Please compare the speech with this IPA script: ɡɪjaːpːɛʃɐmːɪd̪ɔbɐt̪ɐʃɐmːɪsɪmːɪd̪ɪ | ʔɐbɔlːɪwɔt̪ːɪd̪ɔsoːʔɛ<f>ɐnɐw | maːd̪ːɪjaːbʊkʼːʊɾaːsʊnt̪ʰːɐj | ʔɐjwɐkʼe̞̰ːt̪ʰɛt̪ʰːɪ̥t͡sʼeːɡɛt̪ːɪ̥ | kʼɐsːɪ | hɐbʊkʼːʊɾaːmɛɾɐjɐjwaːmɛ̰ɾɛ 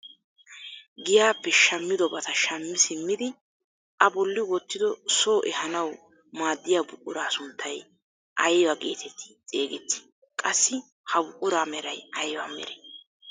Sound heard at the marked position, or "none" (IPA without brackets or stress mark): h